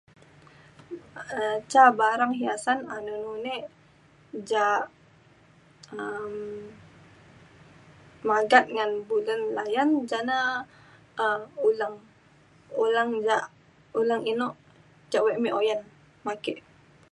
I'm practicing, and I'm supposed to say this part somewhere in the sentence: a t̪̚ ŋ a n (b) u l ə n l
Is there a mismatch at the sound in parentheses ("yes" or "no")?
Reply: no